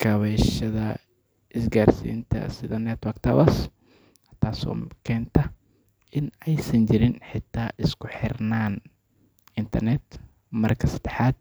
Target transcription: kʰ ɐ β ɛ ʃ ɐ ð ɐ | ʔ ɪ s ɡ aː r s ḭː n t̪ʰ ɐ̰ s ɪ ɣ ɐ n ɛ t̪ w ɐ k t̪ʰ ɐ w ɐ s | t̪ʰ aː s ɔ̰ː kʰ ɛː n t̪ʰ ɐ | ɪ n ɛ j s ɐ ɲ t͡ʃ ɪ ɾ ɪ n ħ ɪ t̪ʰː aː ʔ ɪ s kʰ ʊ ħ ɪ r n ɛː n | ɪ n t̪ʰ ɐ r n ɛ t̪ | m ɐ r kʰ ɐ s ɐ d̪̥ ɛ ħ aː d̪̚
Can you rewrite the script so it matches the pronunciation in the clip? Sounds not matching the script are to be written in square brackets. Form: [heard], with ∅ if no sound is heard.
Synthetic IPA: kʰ ɐ β ɛ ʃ ɐ ð ɐ | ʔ ɪ s ɡ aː r s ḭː n t̪ʰ ɐ̰ s ɪ [ð] ɐ n ɛ t̪ w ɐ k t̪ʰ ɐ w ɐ s | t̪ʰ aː s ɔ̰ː kʰ ɛː n t̪ʰ ɐ | ɪ n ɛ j s ɐ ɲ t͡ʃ ɪ ɾ ɪ n ħ ɪ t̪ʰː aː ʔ ɪ s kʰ ʊ ħ ɪ r n [aː] n | ɪ n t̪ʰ ɐ r n ɛ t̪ | m ɐ r kʰ ɐ s ɐ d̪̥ ɛ ħ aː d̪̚